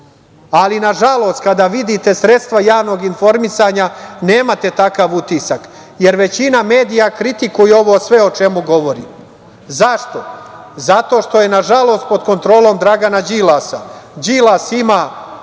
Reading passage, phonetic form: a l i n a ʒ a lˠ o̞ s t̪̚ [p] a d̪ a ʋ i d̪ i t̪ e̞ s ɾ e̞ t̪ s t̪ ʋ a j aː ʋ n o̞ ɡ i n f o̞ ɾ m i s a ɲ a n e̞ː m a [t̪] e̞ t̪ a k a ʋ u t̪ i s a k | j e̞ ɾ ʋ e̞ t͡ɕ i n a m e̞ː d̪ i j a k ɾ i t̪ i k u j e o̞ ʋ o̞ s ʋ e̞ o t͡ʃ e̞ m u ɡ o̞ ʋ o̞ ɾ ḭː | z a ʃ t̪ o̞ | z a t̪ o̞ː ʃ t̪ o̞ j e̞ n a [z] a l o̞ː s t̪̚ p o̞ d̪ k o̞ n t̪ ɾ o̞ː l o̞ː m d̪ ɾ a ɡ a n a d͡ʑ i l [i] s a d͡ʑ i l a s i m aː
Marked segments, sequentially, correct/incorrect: incorrect: k, correct, incorrect: ʒ, incorrect: a

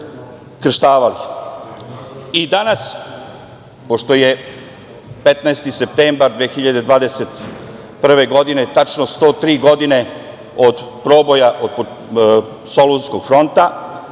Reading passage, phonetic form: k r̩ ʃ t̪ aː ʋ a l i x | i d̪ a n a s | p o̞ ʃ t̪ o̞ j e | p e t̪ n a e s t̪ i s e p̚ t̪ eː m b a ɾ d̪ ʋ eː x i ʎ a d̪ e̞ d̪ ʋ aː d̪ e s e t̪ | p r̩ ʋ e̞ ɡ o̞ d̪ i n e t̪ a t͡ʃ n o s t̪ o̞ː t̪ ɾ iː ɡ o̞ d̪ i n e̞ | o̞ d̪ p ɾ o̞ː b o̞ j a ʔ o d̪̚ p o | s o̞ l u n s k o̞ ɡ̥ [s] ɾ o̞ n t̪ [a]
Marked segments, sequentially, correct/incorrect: incorrect: f, correct

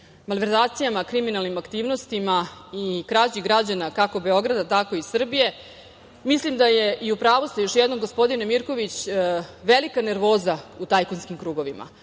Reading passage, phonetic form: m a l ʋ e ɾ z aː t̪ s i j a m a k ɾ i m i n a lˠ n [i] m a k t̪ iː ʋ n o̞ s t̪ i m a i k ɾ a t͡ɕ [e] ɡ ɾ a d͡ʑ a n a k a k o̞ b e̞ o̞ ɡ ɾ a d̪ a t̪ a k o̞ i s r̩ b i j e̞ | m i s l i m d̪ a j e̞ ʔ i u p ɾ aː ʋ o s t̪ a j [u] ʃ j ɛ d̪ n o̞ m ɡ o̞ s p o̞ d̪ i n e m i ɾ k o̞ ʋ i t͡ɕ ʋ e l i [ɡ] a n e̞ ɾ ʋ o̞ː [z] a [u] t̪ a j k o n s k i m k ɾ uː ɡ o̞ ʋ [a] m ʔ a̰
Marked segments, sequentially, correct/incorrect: correct, incorrect: i, incorrect: o, incorrect: k, correct, correct, incorrect: i

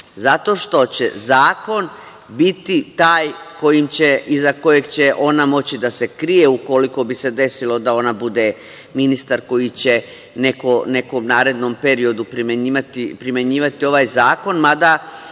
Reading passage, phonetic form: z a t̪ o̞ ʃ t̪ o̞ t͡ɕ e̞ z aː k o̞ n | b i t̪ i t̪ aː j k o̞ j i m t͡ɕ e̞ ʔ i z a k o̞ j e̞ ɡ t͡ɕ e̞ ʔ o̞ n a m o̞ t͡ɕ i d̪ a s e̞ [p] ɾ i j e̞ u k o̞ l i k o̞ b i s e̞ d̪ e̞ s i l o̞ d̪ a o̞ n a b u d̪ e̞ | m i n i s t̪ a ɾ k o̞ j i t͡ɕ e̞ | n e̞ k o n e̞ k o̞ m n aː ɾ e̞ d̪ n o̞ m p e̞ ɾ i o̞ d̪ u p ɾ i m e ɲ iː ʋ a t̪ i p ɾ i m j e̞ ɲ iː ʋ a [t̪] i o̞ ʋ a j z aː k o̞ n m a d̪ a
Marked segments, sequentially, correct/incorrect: incorrect: k, correct

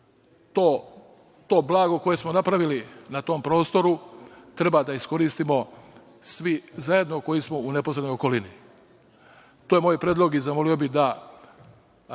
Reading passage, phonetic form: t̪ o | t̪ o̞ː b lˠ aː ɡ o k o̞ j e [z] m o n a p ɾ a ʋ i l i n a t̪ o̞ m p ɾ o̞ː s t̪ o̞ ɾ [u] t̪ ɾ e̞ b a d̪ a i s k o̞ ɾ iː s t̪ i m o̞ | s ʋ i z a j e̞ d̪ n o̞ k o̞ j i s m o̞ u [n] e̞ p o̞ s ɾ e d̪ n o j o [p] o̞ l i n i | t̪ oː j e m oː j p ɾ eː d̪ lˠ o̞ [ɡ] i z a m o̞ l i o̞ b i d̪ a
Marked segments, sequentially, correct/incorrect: incorrect: s, correct, correct, incorrect: k, correct

